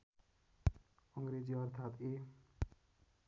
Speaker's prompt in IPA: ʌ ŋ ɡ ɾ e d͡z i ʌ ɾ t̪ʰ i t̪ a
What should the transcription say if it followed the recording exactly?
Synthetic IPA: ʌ ŋ ɡ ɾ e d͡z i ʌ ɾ t̪ʰ a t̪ e